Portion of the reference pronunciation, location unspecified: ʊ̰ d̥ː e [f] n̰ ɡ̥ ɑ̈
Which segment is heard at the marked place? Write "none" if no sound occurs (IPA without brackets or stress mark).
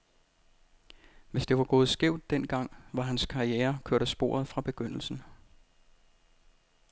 none